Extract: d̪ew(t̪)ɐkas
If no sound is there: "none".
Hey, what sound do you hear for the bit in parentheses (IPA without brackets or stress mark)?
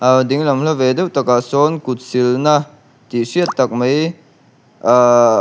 t̪